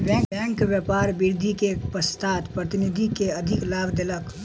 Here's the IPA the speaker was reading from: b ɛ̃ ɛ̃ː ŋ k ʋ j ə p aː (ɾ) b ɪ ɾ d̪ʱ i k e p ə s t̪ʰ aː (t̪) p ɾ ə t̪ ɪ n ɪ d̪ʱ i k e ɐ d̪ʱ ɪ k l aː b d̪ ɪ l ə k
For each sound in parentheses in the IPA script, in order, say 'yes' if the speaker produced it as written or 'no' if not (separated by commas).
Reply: yes, yes